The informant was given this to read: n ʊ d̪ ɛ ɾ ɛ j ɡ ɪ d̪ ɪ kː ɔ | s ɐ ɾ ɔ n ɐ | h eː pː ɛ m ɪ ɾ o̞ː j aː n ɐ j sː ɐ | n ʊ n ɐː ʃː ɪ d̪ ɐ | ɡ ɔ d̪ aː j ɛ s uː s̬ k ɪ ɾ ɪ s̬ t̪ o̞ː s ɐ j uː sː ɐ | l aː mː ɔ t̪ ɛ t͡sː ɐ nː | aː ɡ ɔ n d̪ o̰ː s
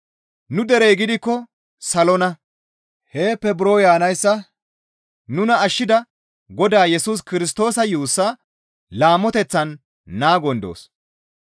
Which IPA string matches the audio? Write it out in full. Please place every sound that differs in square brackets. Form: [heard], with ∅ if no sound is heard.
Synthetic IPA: n ʊ d̪ ɛ ɾ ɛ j ɡ ɪ d̪ ɪ kː ɔ | s ɐ [l] ɔ n ɐ | h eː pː ɛ [b] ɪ ɾ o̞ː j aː n ɐ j sː ɐ | n ʊ n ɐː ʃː ɪ d̪ ɐ | ɡ ɔ d̪ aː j ɛ s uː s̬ k ɪ ɾ ɪ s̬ t̪ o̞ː s ɐ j uː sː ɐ | l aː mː ɔ t̪ ɛ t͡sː ɐ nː | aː ɡ ɔ n d̪ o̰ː s